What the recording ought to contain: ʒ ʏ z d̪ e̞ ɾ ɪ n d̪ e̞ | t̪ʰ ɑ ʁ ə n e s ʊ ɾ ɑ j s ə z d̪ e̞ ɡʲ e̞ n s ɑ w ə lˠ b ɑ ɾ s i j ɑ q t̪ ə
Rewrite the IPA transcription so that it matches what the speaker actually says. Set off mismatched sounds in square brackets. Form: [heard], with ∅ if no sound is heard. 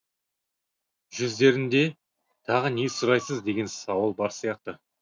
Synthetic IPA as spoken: ʒ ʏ z d̪ e̞ ɾ ɪ n d̪ e̞ | t̪ʰ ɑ ʁ ə n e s ʊ ɾ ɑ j s ə z d̪ e̞ ɡʲ e̞ n s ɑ w ə lˠ b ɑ ɾ s i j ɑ q t̪ ə

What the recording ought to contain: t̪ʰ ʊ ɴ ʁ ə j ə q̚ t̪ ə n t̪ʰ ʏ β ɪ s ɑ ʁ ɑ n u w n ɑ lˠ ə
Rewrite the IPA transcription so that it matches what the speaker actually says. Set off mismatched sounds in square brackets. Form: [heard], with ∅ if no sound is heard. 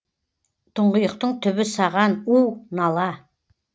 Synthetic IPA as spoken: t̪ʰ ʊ ɴ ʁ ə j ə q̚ t̪ ə [ɴ] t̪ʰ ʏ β ɪ s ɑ ʁ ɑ n u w n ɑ lˠ [ɑ]

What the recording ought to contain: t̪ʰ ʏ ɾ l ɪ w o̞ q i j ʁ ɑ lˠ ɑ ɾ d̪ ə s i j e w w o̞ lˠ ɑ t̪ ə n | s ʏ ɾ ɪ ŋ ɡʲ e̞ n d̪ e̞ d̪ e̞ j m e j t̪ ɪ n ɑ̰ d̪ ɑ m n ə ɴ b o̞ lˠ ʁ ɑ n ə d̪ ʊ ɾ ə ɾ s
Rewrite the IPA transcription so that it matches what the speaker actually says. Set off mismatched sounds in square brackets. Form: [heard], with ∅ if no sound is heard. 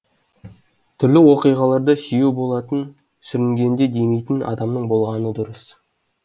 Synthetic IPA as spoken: t̪ʰ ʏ ɾ l ɪ w o̞ q i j ʁ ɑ lˠ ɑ ɾ d̪ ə s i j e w [b] o̞ lˠ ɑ t̪ ə n | s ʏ ɾ ɪ ŋ ɡʲ e̞ n d̪ e̞ d̪ e̞ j m e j t̪ ɪ n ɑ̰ d̪ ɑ m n ə ɴ b o̞ lˠ ʁ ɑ n ə d̪ ʊ ɾ ə [∅] s

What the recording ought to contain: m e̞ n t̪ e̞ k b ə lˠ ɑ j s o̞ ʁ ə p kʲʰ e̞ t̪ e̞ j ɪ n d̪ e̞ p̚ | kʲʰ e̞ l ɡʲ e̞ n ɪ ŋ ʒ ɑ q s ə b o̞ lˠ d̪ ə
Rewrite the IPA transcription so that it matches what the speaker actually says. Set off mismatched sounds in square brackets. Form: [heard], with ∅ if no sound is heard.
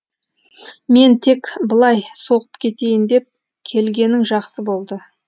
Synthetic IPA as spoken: m e̞ n [t̪ʰ] e̞ k b ə lˠ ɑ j s o̞ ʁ ə p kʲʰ e̞ t̪ e̞ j ɪ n d̪ e̞ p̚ | kʲʰ e̞ l ɡʲ e̞ n ɪ ŋ ʒ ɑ q s ə b o̞ lˠ d̪ ə

